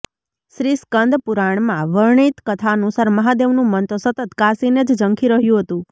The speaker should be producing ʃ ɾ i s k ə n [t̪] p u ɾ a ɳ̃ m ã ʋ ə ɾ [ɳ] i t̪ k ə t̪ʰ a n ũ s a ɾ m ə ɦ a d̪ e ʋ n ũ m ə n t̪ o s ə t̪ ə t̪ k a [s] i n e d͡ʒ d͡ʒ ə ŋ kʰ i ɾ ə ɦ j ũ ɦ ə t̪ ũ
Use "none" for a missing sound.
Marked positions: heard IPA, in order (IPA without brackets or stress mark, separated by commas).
d̪, ɳ, s